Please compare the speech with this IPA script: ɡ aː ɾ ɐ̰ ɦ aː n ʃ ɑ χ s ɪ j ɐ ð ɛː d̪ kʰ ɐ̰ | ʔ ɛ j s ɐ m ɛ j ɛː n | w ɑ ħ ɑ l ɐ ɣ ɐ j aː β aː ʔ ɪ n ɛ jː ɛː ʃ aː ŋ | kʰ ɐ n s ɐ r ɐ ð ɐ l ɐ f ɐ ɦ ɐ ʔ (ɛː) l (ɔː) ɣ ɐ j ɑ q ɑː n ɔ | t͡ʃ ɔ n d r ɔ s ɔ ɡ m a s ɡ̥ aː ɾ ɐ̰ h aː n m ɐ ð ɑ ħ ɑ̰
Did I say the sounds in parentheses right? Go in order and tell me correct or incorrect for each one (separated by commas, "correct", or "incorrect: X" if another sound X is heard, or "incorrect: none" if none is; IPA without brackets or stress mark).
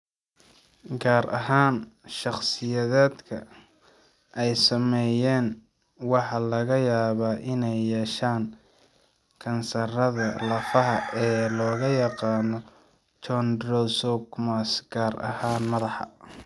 correct, correct